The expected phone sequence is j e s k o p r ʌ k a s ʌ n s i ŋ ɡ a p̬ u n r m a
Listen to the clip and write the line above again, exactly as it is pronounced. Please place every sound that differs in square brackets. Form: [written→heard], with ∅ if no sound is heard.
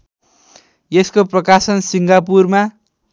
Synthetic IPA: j e s k o p r ʌ k a s ʌ n s i ŋ ɡ a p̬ u [n→∅] r m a